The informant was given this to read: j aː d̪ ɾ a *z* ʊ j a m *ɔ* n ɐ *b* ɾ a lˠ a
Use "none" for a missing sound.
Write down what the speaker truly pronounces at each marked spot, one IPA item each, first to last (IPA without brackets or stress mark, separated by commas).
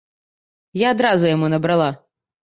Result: z, u, b